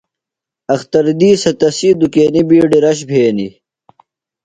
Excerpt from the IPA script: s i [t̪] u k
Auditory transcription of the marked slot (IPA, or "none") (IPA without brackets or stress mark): d̪